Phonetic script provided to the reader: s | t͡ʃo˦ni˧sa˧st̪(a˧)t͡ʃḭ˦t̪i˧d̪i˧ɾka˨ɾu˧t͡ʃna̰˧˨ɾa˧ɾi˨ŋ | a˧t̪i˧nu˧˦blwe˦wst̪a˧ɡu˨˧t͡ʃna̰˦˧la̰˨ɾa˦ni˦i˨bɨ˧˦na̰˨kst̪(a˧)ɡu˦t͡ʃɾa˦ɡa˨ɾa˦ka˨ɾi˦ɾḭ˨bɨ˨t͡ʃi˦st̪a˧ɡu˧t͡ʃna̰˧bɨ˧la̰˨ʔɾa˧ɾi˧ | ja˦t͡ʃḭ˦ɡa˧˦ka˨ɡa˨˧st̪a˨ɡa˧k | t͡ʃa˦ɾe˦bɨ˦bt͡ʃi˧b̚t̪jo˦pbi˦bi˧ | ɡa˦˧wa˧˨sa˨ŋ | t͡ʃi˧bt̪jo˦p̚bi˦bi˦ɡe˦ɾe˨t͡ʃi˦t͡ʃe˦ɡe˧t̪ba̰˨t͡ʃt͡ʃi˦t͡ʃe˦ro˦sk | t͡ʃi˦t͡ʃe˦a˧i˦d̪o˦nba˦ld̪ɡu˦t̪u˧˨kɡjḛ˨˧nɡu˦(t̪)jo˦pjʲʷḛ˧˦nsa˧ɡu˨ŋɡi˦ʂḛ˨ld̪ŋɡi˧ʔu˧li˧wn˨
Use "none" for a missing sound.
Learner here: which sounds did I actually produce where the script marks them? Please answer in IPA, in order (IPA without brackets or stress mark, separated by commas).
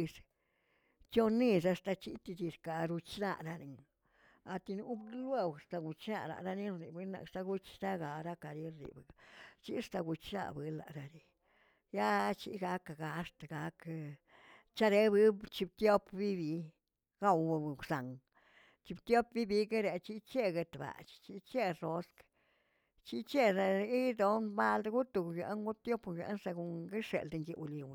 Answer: a˧, a˧, t̪